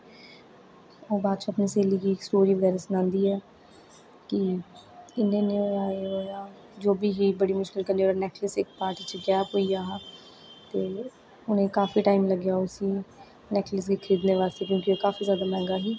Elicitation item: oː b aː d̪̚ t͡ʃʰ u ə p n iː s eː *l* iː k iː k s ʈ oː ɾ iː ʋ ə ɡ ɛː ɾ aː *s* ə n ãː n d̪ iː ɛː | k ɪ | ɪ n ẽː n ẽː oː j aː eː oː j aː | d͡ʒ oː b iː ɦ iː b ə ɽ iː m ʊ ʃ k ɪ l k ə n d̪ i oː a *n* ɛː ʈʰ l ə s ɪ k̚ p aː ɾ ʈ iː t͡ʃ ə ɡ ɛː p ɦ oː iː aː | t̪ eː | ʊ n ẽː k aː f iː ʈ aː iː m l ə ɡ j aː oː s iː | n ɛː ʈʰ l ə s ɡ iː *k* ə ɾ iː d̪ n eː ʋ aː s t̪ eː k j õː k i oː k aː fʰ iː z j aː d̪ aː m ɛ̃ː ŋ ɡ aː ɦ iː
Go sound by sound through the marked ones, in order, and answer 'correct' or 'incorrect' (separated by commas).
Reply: correct, correct, correct, incorrect